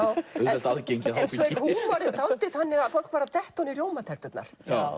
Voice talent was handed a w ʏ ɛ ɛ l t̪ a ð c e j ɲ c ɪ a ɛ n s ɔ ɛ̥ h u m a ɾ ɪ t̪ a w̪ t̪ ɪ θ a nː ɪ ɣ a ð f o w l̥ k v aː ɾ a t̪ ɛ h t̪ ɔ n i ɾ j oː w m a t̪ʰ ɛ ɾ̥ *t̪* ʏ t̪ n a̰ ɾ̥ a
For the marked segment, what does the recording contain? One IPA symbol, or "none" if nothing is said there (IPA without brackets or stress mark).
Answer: t̪